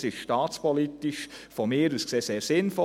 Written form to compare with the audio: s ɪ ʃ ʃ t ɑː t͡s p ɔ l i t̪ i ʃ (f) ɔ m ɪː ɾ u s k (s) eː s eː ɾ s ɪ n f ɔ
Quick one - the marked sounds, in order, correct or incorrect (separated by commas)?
correct, correct